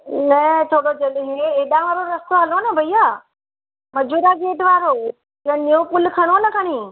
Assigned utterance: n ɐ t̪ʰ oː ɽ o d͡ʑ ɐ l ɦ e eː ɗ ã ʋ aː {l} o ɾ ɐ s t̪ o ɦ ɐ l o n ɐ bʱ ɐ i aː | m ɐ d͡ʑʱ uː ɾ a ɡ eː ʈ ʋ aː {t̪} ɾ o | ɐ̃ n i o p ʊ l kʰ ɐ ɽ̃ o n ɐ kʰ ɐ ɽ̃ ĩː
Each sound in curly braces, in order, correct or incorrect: incorrect: ɾ, incorrect: none

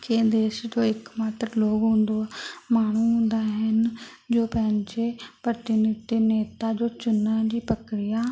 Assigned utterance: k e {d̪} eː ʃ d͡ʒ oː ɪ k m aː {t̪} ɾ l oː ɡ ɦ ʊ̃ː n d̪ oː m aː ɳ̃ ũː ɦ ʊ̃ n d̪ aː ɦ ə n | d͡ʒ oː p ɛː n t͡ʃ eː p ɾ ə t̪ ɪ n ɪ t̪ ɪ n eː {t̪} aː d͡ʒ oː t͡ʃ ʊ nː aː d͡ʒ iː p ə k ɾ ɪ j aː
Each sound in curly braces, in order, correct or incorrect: correct, correct, correct

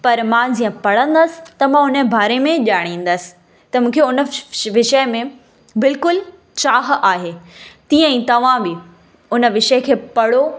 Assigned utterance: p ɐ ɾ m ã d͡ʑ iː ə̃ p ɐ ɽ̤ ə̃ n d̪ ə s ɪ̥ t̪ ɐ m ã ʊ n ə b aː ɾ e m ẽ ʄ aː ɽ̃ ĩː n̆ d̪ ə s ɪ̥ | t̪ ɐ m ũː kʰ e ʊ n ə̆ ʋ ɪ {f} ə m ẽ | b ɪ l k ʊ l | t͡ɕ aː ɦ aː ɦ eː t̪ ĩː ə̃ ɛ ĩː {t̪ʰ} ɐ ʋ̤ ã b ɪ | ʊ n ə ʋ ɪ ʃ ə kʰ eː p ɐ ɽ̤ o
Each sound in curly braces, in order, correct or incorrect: incorrect: ʃ, incorrect: t̪

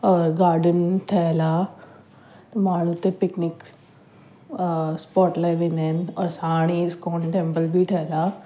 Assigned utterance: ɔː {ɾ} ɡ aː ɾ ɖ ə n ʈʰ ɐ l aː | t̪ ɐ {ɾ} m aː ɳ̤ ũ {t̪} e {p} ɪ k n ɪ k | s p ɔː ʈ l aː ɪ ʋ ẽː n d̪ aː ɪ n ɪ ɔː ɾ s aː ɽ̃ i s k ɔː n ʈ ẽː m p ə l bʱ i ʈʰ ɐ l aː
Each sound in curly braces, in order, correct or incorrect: correct, incorrect: none, correct, correct

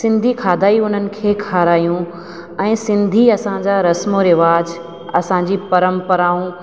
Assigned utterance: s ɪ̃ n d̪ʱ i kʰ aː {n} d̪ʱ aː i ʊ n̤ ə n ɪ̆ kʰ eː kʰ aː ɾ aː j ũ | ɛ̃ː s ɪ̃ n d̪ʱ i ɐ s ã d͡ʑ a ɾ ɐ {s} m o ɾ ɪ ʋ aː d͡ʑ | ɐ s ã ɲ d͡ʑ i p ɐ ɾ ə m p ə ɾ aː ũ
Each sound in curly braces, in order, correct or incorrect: incorrect: none, correct

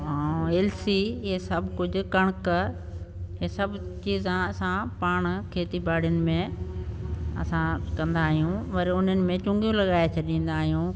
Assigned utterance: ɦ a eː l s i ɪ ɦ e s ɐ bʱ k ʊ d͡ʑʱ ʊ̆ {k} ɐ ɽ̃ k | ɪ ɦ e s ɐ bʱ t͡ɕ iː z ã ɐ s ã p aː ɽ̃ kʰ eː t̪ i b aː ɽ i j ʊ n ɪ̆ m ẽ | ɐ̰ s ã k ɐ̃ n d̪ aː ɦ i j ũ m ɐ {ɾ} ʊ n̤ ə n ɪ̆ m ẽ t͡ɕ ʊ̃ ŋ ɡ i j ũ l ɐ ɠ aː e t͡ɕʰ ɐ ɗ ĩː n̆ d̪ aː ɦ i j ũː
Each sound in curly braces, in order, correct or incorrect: correct, correct

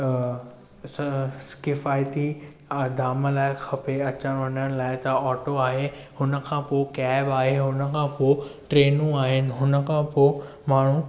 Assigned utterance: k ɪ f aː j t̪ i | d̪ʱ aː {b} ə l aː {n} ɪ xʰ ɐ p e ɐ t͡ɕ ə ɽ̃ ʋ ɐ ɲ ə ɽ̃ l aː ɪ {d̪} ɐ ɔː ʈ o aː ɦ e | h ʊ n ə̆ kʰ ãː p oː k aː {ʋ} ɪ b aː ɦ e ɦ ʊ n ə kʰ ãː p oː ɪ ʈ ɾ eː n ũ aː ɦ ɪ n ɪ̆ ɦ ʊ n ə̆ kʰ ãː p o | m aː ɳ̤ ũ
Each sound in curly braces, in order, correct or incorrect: incorrect: m, incorrect: none, incorrect: t̪, incorrect: none

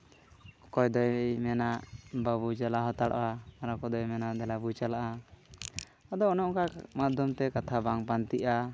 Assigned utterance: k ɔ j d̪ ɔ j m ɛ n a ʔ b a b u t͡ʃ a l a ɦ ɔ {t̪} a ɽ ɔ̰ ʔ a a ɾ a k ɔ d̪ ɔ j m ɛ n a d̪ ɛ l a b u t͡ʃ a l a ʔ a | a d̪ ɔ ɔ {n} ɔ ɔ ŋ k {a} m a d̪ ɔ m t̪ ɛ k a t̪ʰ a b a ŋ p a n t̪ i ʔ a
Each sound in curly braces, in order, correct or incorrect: correct, correct, correct

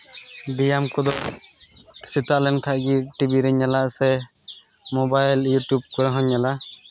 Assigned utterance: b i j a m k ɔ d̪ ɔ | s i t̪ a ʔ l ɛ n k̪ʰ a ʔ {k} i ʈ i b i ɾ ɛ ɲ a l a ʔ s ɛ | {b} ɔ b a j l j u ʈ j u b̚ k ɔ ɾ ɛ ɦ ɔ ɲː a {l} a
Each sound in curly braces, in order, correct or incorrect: incorrect: ɡ, incorrect: m, correct

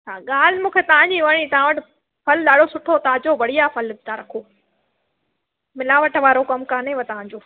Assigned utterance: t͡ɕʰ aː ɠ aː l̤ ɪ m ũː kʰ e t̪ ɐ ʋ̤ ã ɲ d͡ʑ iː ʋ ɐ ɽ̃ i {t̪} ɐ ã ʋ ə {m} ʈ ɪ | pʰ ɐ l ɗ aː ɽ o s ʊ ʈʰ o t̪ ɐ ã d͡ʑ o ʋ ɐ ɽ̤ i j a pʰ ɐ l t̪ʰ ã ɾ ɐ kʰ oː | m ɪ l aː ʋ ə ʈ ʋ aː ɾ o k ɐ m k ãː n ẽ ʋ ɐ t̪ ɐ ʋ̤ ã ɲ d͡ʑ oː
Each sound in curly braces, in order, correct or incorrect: correct, incorrect: none

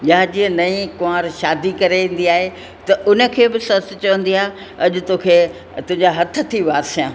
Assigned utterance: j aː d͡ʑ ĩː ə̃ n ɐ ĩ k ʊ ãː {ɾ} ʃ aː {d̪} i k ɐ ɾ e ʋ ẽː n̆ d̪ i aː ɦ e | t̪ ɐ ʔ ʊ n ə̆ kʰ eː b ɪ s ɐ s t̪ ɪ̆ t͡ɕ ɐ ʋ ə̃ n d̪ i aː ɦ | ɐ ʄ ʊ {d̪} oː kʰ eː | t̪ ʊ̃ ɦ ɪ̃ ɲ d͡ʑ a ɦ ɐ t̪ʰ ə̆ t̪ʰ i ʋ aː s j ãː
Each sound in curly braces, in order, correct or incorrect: correct, correct, incorrect: t̪

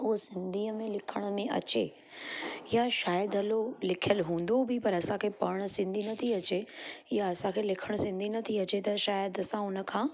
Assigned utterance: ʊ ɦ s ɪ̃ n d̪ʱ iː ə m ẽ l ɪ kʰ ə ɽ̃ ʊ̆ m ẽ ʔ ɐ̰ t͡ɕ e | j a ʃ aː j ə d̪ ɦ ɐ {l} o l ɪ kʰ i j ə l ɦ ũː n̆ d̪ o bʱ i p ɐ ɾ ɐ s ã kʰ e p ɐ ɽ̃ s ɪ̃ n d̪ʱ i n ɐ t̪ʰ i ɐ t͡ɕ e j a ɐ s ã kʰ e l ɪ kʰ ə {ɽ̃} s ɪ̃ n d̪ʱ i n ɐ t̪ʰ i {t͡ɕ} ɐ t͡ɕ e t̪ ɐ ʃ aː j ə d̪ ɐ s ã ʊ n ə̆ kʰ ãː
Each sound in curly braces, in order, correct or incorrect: correct, correct, incorrect: none

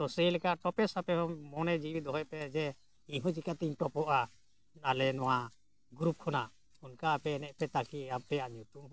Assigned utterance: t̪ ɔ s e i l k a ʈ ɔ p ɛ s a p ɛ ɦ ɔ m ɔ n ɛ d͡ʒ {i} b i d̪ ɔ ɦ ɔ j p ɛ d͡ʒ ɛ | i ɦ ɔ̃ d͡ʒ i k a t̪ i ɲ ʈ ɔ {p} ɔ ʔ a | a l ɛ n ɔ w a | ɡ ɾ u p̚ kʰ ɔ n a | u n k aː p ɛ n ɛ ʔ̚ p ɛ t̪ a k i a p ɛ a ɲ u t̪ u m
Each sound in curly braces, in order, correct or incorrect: correct, correct

